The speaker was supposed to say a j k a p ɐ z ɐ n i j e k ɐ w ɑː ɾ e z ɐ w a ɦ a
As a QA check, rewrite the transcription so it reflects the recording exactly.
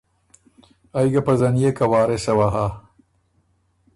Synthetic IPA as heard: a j ɡ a p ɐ z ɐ n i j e k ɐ w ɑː ɾ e s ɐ w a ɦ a